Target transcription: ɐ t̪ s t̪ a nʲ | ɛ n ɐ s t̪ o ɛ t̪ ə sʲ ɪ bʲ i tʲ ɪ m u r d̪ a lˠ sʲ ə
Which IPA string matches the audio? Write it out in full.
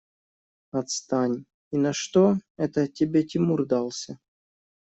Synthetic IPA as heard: ɐ t̪ s t̪ a nʲ | i n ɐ ʂ t̪ o ɛ t̪ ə tʲ ɪ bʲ e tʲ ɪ m u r d̪ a lˠ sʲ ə